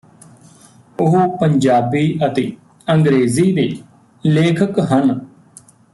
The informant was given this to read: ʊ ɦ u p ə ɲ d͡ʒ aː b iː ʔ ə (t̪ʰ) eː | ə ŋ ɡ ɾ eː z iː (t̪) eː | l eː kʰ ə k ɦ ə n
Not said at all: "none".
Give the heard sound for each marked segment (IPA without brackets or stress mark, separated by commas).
t̪, d̪